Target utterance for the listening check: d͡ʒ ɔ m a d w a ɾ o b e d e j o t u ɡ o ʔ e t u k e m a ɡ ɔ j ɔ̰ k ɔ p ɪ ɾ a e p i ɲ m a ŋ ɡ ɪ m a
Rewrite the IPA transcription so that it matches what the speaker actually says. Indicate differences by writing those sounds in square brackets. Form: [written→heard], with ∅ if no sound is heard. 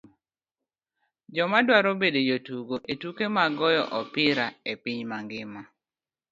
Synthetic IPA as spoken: d͡ʒ ɔ m a d w a ɾ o b e d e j o t u ɡ o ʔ e t u k e m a ɡ ɔ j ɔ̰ [k→ʔ] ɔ p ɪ ɾ a e p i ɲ m a ŋ ɡ ɪ m a